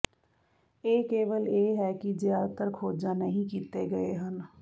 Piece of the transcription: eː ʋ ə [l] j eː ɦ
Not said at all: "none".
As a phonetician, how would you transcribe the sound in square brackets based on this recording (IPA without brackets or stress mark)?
l